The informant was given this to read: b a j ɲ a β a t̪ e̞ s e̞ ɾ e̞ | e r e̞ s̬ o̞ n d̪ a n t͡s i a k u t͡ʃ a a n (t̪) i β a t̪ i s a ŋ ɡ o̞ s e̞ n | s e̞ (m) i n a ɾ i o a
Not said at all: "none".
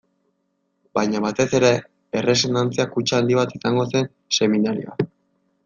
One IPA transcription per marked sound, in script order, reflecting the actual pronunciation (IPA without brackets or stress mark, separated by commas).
d̪, m